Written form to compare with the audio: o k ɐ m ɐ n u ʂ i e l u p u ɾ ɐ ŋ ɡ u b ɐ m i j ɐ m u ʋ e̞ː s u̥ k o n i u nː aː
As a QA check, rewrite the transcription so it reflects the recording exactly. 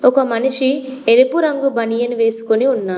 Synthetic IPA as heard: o k ɐ m ɐ n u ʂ i e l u p u ɾ ɐ ŋ ɡ u b ɐ n i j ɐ n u ʋ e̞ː s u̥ k o n i u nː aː